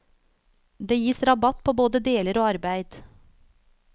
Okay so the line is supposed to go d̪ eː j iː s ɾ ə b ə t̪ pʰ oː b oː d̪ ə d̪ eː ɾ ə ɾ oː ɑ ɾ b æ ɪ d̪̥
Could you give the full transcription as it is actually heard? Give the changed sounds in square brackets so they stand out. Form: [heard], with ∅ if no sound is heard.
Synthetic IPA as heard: d̪ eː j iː s ɾ [ɑ] b [ɑ] t̪ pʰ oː b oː d̪ ə d̪ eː [l] ə ɾ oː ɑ ɾ b æ ɪ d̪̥

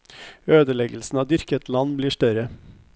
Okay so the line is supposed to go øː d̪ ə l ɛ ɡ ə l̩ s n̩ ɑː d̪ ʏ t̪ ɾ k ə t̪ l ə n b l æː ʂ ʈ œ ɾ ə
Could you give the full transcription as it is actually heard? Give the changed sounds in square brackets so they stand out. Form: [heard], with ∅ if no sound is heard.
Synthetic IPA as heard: øː d̪ ə l ɛ ɡ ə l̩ s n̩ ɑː d̪ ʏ [∅] ɾ k ə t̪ l [ɑ] n b l [iː] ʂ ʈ œ ɾ ə

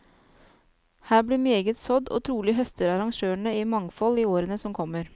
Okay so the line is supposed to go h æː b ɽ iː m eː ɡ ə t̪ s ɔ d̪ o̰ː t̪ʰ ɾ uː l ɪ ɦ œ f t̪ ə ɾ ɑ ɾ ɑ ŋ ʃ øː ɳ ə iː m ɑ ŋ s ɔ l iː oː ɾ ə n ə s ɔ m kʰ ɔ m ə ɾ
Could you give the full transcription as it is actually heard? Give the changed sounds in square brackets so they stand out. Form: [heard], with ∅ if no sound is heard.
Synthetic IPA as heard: h æː b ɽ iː m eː ɡ ə t̪ s ɔ d̪ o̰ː t̪ʰ ɾ uː l ɪ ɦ œ [s] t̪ ə ɾ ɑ ɾ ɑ ŋ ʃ øː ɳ ə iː m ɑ ŋ [f] ɔ l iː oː ɾ ə n ə s ɔ m kʰ ɔ m ə ɾ

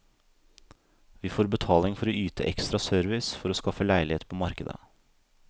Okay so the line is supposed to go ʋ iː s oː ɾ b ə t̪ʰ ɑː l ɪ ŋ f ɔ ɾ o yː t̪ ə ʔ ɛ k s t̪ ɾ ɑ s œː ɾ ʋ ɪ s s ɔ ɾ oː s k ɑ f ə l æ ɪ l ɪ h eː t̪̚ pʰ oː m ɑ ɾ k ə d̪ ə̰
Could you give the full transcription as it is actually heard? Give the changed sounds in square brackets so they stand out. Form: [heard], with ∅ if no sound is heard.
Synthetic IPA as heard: ʋ iː [f] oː ɾ b ə t̪ʰ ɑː l ɪ ŋ f ɔ ɾ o yː t̪ ə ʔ ɛ k s t̪ ɾ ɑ s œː ɾ ʋ ɪ s [f] ɔ ɾ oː s k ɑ f ə l æ ɪ l ɪ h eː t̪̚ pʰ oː m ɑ ɾ k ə d̪ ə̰

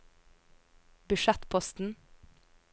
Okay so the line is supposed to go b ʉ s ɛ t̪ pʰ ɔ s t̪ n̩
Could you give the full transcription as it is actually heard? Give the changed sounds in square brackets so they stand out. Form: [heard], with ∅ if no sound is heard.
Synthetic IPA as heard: b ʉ [ʃ] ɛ t̪ pʰ ɔ s t̪ n̩

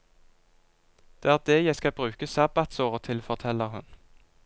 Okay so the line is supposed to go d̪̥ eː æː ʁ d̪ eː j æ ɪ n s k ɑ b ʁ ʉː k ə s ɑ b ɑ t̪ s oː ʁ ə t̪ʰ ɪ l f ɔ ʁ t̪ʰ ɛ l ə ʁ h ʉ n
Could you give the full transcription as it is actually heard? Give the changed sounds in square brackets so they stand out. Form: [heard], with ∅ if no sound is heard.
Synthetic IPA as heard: d̪̥ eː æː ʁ d̪ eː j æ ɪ [∅] s k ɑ b ʁ ʉː k ə s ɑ b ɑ t̪ s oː ʁ ə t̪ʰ ɪ l f ɔ ʁ t̪ʰ ɛ l ə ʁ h ʉ n

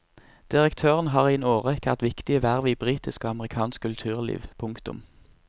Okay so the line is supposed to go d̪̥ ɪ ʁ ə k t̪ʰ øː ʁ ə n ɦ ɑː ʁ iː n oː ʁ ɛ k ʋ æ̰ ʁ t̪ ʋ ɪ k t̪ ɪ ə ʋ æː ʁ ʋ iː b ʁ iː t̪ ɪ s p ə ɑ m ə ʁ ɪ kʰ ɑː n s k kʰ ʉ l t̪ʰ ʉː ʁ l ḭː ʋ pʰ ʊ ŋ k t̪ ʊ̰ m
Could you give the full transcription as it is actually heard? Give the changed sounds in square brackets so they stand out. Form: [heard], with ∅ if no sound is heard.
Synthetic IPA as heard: d̪̥ ɪ ʁ ə k t̪ʰ øː ʁ ə n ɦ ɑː ʁ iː n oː ʁ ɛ k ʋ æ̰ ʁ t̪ ʋ ɪ k t̪ ɪ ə ʋ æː ʁ ʋ iː b ʁ iː t̪ ɪ s [k] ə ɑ m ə ʁ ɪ kʰ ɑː n s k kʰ ʉ l t̪ʰ ʉː ʁ l ḭː ʋ pʰ ʊ ŋ k t̪ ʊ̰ m

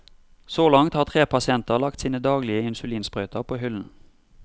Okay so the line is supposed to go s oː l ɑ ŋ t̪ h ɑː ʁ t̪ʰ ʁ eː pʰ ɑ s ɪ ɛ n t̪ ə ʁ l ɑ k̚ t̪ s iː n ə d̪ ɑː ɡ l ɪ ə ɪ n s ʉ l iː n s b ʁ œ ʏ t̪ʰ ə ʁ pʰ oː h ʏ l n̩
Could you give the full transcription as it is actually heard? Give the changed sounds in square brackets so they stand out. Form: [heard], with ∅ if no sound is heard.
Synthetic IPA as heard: s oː l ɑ ŋ t̪ h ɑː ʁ t̪ʰ ʁ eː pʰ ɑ s ɪ ɛ n t̪ ə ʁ l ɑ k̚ t̪ s iː n ə d̪ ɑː ɡ l ɪ ə ɪ n s ʉ l iː n s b ʁ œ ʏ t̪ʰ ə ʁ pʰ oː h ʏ l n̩

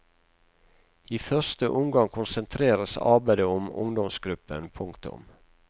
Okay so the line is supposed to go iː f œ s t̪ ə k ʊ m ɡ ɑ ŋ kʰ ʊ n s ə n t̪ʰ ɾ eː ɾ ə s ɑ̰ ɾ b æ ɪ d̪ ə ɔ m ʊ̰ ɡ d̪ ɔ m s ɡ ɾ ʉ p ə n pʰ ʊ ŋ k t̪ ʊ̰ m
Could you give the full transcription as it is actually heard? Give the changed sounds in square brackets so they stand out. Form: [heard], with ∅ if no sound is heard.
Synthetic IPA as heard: iː f œ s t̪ ə [ʔ] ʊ m ɡ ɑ ŋ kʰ ʊ n s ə n t̪ʰ ɾ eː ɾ ə s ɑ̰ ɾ b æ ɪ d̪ ə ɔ m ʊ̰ [ŋ] d̪ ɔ m s ɡ ɾ ʉ p ə n pʰ ʊ ŋ k t̪ ʊ̰ m

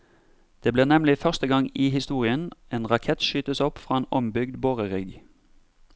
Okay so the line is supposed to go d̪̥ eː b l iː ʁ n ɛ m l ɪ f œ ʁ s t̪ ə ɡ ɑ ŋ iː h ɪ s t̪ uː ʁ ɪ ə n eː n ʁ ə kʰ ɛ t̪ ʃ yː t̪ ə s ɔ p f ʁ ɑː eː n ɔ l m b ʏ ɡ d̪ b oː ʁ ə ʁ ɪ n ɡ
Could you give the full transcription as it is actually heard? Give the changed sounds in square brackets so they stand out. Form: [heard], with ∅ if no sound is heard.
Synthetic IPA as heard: d̪̥ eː b l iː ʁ n ɛ m l ɪ f œ ʁ s t̪ ə ɡ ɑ ŋ iː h ɪ s t̪ uː ʁ ɪ ə n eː n ʁ [ɑ] kʰ ɛ t̪ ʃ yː t̪ ə s ɔ p f ʁ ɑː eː n ɔ [∅] m b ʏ ɡ d̪ b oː ʁ ə ʁ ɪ [∅] ɡ

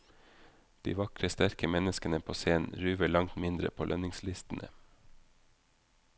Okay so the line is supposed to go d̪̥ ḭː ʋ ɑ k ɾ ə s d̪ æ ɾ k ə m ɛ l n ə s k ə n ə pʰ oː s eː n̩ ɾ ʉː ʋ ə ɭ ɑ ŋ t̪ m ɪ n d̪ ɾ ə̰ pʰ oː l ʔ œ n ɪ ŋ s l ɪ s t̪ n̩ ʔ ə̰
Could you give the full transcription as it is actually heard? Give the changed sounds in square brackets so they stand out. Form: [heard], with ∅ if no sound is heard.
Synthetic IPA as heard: d̪̥ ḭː ʋ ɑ k ɾ ə s [t̪] æ ɾ k ə m ɛ [∅] n ə s k ə n ə pʰ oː s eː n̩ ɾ ʉː ʋ ə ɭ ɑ ŋ t̪ m ɪ n d̪ ɾ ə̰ pʰ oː l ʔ œ n ɪ ŋ s l ɪ s t̪ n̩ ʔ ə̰

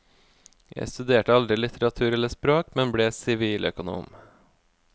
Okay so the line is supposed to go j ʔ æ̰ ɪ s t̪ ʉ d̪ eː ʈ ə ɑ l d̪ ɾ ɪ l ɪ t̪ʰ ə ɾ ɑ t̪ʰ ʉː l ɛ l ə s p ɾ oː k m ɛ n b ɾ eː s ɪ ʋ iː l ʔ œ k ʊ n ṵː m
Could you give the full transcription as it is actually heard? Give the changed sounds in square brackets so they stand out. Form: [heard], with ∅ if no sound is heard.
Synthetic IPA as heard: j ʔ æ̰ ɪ s t̪ ʉ d̪ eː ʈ ə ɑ l d̪ ɾ ɪ l ɪ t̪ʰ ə ɾ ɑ t̪ʰ ʉː [ɾ] ɛ l ə s p ɾ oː k m ɛ n b [ɽ] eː s ɪ ʋ iː l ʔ œ k ʊ n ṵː m

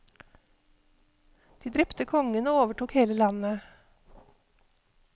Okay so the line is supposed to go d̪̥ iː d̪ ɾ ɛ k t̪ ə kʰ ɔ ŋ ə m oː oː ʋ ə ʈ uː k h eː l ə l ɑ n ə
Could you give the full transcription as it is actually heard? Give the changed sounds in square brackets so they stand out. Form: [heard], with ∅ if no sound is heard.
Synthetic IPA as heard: d̪̥ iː d̪ ɾ ɛ [p] t̪ ə kʰ ɔ ŋ ə [n] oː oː ʋ ə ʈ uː k h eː l ə l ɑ n ə

